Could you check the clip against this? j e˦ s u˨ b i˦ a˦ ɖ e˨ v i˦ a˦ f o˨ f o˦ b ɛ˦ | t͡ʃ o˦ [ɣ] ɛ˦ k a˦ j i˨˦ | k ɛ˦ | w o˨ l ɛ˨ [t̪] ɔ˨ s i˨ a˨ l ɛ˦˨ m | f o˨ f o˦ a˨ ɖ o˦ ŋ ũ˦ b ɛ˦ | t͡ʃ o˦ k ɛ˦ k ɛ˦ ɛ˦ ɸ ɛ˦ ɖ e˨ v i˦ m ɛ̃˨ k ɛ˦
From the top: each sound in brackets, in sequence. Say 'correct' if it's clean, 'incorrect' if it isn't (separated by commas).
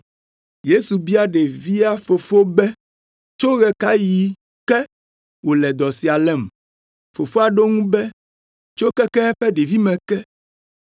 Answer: correct, incorrect